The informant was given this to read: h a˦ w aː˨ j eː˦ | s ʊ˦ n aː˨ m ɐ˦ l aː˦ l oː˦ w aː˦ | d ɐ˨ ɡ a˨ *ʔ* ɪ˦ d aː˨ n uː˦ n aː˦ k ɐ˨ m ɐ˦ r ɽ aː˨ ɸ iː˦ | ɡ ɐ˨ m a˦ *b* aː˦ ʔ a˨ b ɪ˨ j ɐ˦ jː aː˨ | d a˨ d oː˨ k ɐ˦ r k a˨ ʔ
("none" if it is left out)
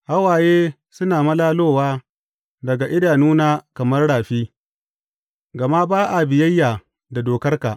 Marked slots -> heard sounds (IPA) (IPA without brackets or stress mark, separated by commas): ʔ, b